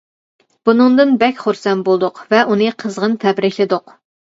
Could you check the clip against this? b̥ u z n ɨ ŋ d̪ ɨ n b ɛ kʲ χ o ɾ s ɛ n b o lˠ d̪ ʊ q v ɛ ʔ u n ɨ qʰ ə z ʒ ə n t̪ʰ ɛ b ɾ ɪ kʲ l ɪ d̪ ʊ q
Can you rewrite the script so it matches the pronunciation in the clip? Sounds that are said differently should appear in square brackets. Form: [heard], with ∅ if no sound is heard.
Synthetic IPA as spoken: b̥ u [∅] n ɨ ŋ d̪ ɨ n b ɛ kʲ χ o ɾ s ɛ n b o lˠ d̪ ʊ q v ɛ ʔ u n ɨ qʰ ə z [ʁ] ə n t̪ʰ ɛ b ɾ ɪ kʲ l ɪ d̪ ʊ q